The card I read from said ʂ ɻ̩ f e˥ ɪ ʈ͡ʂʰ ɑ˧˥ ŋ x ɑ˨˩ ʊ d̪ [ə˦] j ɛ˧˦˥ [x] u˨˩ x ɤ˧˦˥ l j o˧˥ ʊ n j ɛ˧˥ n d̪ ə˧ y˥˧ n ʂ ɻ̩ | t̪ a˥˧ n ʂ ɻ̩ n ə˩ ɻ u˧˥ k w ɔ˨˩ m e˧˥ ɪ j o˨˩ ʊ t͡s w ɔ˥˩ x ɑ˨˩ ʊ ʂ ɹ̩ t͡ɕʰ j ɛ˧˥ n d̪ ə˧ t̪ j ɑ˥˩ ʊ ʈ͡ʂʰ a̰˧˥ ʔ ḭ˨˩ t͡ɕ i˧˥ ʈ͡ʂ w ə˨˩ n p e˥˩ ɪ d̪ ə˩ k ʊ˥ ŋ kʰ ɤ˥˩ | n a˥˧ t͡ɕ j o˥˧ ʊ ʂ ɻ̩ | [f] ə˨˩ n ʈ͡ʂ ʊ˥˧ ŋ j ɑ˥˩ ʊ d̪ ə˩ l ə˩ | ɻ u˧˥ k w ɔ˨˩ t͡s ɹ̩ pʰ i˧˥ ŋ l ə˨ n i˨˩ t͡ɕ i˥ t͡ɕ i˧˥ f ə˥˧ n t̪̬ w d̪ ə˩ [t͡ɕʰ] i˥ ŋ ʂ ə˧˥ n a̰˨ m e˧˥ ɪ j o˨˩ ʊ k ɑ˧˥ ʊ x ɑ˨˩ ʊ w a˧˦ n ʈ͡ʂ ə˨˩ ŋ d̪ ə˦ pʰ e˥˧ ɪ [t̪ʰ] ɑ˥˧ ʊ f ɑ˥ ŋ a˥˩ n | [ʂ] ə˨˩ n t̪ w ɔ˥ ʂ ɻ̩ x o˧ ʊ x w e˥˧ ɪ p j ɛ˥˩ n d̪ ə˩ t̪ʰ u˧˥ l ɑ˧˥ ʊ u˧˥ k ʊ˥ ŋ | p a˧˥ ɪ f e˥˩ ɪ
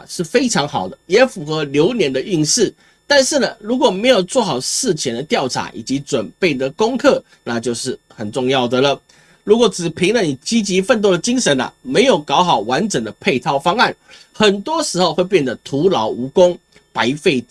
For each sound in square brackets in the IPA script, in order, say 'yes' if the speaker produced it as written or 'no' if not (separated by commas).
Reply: yes, no, no, no, yes, no